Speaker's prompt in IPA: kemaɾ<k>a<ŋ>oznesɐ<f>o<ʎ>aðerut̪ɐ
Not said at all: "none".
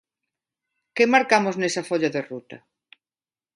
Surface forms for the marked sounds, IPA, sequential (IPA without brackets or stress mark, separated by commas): k, m, f, ʎ